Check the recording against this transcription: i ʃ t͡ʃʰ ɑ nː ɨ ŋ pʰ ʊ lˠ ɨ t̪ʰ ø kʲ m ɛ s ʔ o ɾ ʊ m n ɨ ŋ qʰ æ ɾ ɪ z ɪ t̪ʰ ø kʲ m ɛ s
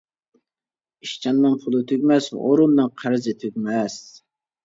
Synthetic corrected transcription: i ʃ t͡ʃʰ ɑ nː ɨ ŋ pʰ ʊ lˠ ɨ t̪ʰ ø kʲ m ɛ s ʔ o ɾ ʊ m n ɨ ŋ qʰ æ ɾ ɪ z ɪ t̪ʰ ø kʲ m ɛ s